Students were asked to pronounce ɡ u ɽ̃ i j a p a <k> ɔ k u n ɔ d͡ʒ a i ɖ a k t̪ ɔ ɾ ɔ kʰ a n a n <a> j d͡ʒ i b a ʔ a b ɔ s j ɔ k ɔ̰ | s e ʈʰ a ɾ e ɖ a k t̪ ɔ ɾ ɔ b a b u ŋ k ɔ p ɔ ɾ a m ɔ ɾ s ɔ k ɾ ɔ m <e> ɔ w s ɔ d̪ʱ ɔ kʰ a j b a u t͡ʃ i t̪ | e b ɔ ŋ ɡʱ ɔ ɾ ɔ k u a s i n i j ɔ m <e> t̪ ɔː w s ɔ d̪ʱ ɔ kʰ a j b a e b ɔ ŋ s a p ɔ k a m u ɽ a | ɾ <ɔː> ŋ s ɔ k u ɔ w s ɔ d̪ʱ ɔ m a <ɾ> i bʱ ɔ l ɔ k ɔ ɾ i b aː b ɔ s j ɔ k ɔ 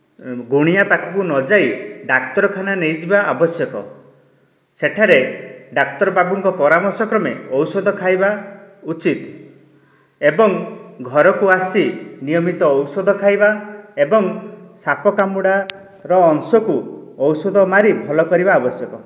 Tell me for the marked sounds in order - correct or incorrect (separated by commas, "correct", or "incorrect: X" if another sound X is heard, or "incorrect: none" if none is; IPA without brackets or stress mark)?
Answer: incorrect: kʰ, incorrect: e, correct, incorrect: i, correct, correct